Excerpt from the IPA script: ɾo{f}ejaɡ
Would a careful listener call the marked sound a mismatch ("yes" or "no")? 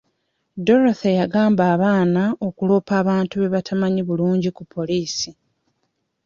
yes